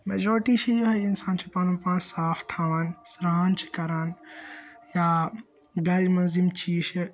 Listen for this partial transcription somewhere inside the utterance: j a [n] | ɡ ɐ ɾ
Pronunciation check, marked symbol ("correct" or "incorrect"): incorrect